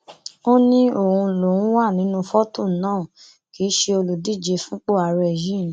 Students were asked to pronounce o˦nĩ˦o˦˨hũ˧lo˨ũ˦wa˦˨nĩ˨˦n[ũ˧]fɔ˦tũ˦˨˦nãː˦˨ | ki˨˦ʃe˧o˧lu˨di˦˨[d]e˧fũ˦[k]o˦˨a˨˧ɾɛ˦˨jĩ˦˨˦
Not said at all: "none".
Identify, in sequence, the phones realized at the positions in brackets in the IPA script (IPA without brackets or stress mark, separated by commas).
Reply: ũ˧, d͡ʒ, k͡p